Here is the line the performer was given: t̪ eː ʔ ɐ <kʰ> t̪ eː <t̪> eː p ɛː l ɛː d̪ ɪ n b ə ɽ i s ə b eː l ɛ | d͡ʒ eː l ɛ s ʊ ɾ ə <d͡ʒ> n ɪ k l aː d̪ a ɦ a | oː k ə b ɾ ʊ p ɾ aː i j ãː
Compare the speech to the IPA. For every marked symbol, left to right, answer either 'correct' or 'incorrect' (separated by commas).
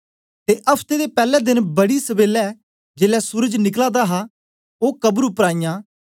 incorrect, incorrect, correct